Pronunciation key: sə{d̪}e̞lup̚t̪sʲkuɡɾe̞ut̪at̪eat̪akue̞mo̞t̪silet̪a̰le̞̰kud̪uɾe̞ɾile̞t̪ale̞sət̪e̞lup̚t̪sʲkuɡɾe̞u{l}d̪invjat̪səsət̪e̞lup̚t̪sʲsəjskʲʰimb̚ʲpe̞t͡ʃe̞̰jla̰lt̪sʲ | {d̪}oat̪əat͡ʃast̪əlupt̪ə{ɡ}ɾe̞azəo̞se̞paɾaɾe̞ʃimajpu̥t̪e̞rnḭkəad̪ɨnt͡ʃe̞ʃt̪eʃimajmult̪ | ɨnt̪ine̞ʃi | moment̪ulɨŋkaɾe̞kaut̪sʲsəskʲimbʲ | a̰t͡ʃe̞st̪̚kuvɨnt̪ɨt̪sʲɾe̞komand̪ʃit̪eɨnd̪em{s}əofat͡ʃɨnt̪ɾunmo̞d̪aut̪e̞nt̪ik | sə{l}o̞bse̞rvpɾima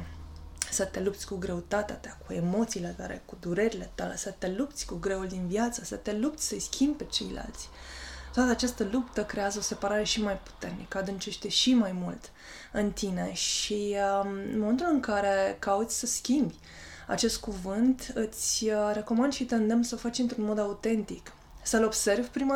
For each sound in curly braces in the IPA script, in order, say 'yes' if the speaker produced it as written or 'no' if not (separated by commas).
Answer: no, yes, no, no, yes, yes